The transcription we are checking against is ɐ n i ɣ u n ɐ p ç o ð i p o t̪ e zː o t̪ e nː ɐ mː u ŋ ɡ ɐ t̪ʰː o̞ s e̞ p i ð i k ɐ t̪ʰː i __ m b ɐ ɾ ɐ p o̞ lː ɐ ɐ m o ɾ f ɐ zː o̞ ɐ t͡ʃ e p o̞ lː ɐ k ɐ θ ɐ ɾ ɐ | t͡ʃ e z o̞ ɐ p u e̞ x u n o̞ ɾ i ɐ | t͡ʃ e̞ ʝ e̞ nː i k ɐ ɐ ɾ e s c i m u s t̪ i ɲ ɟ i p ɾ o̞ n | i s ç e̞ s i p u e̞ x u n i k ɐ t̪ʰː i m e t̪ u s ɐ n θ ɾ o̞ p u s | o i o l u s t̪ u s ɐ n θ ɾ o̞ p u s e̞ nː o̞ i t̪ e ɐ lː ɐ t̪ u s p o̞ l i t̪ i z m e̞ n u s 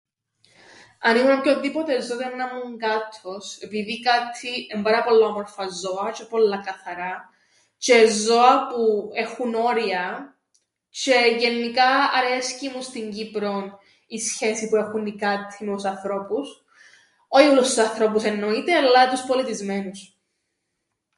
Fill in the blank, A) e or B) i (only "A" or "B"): A